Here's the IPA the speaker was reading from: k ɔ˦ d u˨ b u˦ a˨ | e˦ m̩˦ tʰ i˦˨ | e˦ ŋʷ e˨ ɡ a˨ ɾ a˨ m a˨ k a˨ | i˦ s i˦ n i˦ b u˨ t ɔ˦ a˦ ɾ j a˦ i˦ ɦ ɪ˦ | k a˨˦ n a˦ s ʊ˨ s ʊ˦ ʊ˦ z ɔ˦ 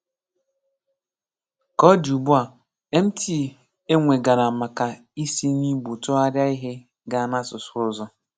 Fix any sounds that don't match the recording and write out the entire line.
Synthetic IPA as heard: k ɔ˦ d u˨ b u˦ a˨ | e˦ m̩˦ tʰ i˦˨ | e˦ ŋʷ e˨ ɡ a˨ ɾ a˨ m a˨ k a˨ | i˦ s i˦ n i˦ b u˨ t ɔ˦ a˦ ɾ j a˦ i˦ ɦ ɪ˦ | ɡ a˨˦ n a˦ s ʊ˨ s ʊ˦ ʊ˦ z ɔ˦

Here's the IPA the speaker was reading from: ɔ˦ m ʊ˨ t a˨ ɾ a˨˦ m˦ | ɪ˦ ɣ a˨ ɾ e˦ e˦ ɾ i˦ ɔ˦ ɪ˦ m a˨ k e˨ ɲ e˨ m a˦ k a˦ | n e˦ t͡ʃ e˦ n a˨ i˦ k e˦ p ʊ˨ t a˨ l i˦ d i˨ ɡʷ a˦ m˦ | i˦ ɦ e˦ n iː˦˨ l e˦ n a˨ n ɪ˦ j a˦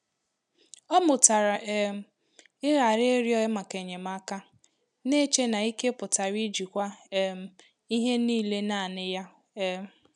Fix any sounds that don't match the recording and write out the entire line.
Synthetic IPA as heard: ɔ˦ m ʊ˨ t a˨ ɾ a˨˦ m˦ | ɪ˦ ɣ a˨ ɾ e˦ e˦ ɾ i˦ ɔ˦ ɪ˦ m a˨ k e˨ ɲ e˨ m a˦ k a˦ | n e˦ t͡ʃ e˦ n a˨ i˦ k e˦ p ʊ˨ t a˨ ɾ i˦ d͡ʒ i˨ kʷ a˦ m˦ | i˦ ɦ e˦ n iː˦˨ l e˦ n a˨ n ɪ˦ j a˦

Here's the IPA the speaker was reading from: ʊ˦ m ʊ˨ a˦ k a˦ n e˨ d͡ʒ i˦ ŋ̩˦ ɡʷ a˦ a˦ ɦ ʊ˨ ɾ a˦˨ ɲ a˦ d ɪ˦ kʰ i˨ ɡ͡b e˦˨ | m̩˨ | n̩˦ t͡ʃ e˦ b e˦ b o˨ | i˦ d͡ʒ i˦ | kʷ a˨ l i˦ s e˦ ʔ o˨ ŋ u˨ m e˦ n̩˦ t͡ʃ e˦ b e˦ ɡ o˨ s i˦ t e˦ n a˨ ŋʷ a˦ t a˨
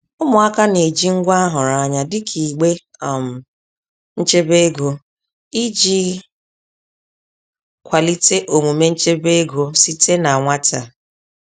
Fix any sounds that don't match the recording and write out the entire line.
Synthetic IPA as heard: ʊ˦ m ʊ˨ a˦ k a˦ n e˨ d͡ʒ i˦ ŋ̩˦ ɡʷ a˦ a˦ ɦ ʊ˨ ɾ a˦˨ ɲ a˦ d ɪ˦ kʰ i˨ ɡ͡b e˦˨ | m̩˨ | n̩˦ t͡ʃ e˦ b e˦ ɡ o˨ | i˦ d͡ʒ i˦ | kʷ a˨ l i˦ t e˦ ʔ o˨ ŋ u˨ m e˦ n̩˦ t͡ʃ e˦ b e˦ ɡ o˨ s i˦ t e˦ n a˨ ŋʷ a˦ t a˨

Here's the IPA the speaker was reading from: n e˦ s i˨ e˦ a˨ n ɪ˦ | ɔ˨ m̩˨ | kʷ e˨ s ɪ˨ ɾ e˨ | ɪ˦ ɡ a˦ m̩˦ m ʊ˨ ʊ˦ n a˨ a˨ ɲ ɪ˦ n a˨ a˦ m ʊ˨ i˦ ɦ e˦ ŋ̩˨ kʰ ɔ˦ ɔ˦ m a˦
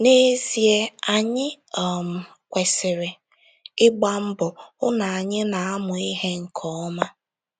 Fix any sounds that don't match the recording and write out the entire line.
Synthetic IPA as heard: n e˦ z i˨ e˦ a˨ ɲ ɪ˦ | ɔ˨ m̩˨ | kʷ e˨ s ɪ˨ ɾ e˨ | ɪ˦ ɡ͡b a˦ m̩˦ b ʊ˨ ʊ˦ n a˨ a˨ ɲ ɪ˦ n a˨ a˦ m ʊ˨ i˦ ɦ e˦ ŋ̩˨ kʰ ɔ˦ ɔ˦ m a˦

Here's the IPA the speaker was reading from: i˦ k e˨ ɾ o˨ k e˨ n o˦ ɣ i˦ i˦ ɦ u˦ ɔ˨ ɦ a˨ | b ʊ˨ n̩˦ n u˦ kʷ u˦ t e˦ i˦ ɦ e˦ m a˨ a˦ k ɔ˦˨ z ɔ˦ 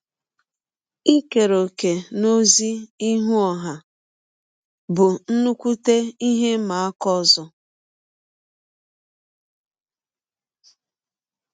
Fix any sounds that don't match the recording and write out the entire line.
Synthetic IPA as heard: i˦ k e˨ ɾ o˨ k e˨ n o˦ z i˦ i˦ ɦ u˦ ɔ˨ ɦ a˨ | b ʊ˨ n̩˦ n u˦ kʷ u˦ t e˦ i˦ ɦ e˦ m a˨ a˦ k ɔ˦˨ z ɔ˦

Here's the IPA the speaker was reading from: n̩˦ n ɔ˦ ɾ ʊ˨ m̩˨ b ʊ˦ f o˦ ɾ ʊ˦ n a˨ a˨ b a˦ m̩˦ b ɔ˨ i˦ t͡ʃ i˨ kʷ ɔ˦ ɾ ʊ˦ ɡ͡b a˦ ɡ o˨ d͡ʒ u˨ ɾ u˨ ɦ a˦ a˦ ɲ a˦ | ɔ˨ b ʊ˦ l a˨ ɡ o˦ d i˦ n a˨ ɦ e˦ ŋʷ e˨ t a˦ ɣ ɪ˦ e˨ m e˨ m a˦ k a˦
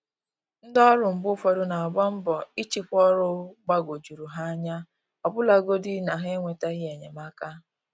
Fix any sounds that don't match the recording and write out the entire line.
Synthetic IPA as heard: n̩˦ d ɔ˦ ɾ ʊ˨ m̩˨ b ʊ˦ f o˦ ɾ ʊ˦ n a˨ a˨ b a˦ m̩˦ b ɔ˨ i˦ t͡ʃ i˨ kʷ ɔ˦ ɾ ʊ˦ ɡ͡b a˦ ɡ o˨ d͡ʒ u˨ ɾ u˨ ɦ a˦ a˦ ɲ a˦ | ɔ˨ b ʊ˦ l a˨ ɡ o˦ d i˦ n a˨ ɦ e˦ ŋʷ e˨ t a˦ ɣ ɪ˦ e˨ ɲ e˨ m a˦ k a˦

